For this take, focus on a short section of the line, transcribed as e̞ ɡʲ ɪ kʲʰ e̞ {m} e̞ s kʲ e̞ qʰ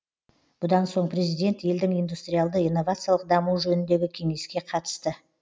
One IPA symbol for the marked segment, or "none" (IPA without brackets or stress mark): ŋ